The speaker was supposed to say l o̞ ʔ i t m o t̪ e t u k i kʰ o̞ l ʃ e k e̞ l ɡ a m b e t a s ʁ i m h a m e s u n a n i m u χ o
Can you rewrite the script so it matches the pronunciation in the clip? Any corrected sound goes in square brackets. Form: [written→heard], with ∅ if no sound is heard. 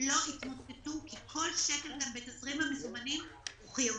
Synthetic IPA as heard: l o̞ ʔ i t m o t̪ e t u k i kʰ o̞ l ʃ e k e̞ l ɡ a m b e t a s ʁ i m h a m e [s→z] u [n→m] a n i m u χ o

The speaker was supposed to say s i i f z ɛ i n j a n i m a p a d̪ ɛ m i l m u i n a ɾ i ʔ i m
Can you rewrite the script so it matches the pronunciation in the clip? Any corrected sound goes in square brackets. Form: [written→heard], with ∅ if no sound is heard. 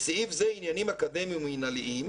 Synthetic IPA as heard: s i i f z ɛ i n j a n i m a [p→k] a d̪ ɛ m i [l→∅] m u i n a [ɾ→l] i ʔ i m

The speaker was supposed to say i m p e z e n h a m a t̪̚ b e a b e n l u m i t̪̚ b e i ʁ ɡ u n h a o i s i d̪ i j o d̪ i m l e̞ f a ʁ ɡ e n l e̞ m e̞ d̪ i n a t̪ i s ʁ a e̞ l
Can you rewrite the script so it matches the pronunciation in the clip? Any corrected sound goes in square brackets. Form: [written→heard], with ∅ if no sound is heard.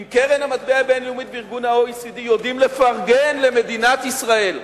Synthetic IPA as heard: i m [p→k] e [z→ʁ] e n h a m a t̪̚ b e a b e n l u m i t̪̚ b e i ʁ ɡ u n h a o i s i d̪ i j o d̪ i m l e̞ f a ʁ ɡ e n l e̞ m e̞ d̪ i n a t̪ i s ʁ a e̞ l

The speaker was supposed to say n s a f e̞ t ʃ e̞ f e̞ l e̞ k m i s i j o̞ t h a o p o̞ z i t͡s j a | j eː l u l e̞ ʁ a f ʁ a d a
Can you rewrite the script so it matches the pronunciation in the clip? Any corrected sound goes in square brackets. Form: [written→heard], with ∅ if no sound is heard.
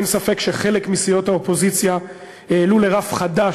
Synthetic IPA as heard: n s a f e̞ [t→k] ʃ e̞ [f→χ] e̞ l e̞ k m i s i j o̞ t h a o p o̞ z i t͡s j a | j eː l u l e̞ ʁ a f [ʁ→χ] a d a

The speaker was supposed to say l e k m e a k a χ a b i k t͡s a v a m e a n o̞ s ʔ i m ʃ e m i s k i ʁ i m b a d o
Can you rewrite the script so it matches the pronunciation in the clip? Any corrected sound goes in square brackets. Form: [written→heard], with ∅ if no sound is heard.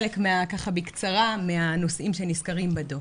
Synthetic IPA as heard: l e k m e a k a χ a b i k t͡s a [v→ʁ] a m e a n o̞ s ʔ i m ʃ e [m→n] i s k [i→a] ʁ i m b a d o

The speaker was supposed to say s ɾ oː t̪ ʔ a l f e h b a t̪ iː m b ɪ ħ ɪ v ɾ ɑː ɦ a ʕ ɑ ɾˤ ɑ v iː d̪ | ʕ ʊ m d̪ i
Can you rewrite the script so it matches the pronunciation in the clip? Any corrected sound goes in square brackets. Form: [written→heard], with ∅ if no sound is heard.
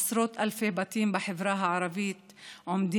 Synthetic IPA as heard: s ɾ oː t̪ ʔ a l f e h b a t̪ iː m b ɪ ħ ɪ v ɾ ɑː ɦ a ʕ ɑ ɾˤ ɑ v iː [d̪→t̪] | ʕ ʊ m d̪ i

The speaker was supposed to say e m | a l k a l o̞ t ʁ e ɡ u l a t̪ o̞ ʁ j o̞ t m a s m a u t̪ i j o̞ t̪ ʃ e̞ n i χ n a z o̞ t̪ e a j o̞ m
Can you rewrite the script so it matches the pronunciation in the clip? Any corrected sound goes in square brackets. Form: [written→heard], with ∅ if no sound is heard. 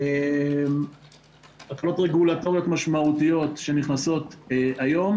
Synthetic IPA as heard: e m | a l k a l o̞ t ʁ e ɡ u l a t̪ o̞ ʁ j o̞ t m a [s→ʃ] m a u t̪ i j o̞ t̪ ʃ e̞ n i χ n a [z→s] o̞ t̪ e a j o̞ m

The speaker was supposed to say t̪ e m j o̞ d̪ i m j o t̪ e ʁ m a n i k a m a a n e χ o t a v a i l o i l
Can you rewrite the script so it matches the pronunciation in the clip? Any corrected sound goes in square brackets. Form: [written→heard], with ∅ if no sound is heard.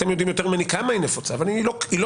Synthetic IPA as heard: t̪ e m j o̞ d̪ i m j o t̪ e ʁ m a n i k a m a [a→i] n e [χ→f] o [t→t͡s] a v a i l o i l

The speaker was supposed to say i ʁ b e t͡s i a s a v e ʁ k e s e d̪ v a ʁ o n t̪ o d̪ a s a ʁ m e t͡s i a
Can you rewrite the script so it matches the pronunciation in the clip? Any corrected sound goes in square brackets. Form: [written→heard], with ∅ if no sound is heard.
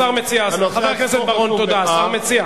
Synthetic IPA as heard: [i→a] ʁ [b→m] e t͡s i a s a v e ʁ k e s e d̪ [v→b] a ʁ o n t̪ o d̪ a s a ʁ m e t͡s i a

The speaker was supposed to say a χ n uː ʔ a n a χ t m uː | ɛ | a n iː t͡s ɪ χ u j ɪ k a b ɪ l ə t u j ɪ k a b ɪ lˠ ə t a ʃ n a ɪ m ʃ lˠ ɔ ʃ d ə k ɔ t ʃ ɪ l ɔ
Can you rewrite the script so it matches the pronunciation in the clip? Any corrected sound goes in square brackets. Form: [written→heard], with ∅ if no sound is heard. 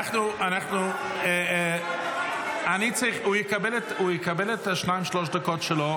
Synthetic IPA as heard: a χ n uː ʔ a n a χ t [m→n] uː | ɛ | a n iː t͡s ɪ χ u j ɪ k a b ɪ l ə t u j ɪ k a b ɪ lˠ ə t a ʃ n a ɪ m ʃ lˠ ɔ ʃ d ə k ɔ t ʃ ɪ l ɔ

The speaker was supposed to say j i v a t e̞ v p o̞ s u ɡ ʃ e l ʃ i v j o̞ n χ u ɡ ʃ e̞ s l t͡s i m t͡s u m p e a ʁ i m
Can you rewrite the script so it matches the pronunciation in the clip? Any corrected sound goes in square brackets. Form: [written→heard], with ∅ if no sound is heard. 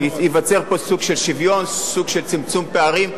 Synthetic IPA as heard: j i v a [t→t͡s] e̞ [v→ʁ] p o̞ s u ɡ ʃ e l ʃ i v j o̞ n [χ→s] u ɡ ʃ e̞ [s→∅] l t͡s i m t͡s u m p e a ʁ i m

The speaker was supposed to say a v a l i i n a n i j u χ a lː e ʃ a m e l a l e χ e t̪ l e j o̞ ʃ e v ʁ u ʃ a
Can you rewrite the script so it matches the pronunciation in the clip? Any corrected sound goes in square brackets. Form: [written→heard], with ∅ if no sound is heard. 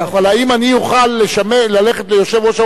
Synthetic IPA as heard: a v a l [i→a] i [n→m] a n i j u χ a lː e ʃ a m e l a l e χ e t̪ l e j o̞ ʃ e v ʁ [u→o] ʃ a

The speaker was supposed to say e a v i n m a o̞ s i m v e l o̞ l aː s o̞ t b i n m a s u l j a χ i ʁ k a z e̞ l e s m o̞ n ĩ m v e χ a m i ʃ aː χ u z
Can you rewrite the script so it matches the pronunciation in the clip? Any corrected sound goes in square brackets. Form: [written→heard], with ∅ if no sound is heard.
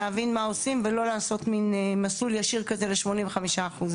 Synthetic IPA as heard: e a v i n m a o̞ s i m v e l o̞ l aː s o̞ t [b→m] i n m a s u l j a [χ→ʃ] i ʁ k a z e̞ l e [s→ʃ] m o̞ n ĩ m v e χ a m i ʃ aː χ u z

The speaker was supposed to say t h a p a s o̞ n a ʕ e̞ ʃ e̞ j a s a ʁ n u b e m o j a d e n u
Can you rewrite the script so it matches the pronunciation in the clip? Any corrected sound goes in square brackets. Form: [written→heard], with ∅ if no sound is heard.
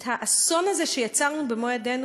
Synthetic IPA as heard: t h a [p→ʔ] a s o̞ n a [ʕ→z] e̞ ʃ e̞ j a [s→t͡s] a ʁ n u b e m o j a d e n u

